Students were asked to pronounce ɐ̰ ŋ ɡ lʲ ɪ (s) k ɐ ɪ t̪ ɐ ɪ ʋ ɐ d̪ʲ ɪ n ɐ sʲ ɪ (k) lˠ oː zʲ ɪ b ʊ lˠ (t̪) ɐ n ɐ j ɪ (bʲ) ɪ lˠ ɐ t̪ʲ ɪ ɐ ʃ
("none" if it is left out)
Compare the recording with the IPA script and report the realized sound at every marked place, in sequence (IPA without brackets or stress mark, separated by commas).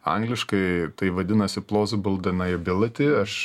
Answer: ʃ, p, d̪, bʲ